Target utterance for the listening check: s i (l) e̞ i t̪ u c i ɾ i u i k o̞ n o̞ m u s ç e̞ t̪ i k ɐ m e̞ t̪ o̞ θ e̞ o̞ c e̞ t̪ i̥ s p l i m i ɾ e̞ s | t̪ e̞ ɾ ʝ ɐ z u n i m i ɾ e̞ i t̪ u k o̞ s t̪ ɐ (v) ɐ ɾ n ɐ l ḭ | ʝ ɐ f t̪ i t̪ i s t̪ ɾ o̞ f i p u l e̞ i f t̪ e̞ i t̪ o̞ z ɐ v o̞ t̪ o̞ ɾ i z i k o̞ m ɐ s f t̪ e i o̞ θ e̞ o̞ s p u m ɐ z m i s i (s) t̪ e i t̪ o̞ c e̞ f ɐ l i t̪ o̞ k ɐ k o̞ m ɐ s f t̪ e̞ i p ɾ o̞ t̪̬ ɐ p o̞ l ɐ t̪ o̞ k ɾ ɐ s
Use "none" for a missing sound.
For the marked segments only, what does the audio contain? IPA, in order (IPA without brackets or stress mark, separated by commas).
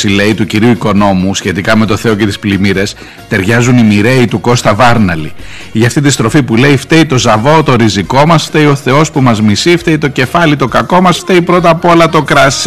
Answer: l, v, f